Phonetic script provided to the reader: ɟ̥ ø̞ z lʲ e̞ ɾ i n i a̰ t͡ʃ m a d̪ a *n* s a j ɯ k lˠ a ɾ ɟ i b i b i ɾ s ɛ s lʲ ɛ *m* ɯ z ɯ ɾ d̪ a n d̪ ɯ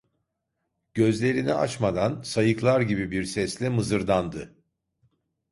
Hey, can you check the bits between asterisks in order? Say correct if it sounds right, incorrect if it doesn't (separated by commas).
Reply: correct, correct